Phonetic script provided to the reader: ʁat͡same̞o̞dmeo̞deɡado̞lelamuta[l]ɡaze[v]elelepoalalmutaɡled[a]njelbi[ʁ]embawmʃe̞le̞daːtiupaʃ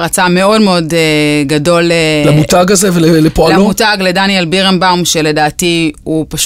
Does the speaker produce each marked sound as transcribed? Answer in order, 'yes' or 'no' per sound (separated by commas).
no, yes, yes, yes